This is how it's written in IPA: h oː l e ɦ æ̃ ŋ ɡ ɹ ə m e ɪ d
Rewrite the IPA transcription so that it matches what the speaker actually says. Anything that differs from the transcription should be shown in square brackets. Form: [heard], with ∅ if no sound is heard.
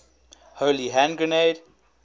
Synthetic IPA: h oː l [i] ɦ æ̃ [n] ɡ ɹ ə [n] e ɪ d